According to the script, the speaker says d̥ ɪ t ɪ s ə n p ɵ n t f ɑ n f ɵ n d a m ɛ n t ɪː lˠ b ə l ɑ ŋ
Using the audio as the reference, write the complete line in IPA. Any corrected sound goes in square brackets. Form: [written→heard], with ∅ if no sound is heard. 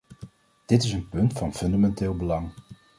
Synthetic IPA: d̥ ɪ t ɪ s ə n p ɵ n t f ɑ n f ɵ n d a m ɛ n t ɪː lˠ b ə l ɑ ŋ